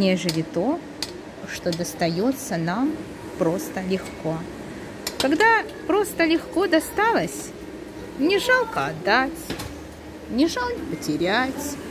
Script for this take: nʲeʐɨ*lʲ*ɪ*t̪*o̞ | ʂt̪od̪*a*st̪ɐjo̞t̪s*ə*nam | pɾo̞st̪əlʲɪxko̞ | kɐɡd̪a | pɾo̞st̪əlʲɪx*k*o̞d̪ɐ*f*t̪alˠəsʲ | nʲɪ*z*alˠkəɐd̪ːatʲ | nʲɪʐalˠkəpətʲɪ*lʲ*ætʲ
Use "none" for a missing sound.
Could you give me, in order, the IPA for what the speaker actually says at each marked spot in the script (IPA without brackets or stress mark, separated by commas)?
lʲ, t̪, ə, ə, k, s, ʐ, ɾʲ